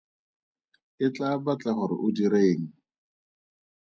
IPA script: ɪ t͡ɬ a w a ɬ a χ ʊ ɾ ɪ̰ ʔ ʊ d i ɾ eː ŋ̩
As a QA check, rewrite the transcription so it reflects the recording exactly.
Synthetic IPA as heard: ɪ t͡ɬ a b a t͡ɬ a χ ʊ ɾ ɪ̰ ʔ ʊ d i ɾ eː ŋ̩